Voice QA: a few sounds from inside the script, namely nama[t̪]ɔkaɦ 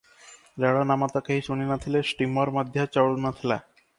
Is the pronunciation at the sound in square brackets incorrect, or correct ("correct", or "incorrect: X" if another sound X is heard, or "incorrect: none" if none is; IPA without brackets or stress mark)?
correct